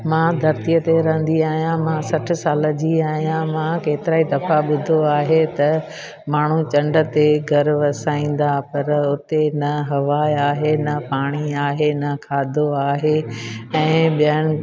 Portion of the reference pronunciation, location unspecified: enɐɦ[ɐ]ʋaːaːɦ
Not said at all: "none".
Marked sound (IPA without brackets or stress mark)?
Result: ɐ